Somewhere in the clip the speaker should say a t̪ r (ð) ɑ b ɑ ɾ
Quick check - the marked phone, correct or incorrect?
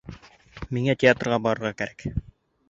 incorrect